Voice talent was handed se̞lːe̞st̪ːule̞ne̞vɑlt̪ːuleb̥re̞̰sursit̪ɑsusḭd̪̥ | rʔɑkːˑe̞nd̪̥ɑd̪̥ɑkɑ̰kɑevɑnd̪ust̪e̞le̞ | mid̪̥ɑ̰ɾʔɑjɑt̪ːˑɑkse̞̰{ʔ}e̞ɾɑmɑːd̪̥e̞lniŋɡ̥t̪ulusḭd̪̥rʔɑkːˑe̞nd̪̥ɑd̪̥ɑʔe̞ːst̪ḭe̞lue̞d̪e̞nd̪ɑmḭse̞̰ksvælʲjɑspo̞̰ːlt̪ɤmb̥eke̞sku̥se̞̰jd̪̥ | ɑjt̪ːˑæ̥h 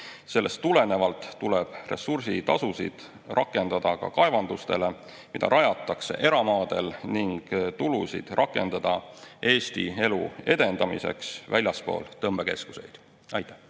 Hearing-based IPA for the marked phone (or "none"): ʔ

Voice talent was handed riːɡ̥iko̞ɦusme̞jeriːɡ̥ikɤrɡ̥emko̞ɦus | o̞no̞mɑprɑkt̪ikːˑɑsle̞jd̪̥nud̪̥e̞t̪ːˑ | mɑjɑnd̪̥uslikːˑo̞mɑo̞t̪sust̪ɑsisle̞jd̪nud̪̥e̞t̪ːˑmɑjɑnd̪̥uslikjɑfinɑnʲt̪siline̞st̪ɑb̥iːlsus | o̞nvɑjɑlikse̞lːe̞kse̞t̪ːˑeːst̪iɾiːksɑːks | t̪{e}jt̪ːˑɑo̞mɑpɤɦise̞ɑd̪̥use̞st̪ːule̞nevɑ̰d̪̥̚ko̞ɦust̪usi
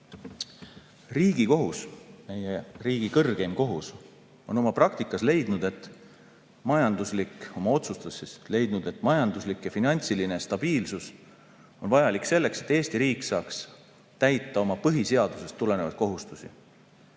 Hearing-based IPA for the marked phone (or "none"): æ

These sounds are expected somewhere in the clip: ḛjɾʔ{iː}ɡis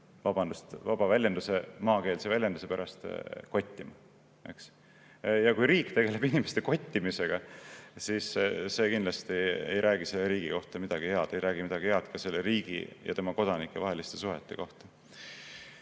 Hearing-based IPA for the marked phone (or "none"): æː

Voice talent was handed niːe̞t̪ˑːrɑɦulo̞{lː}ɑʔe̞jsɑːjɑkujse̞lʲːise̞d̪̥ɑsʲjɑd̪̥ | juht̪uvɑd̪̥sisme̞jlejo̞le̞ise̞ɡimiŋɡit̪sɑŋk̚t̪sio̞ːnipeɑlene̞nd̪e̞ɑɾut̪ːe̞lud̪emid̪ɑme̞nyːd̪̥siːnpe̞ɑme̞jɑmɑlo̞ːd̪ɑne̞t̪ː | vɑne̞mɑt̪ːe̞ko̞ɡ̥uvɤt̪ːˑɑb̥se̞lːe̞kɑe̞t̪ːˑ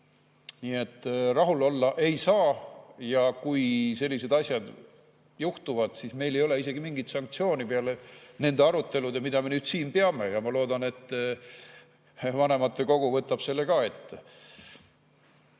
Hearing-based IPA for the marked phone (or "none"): lː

